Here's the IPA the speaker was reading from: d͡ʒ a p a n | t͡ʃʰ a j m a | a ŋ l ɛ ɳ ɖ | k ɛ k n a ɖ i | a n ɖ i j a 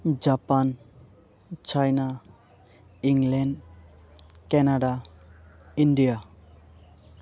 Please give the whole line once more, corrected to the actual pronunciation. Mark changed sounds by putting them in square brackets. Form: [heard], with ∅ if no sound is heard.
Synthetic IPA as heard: d͡ʒ a p a n | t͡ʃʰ a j [n] a | [i] ŋ l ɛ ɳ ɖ | k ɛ [∅] n a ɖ [a] | [i] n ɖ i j a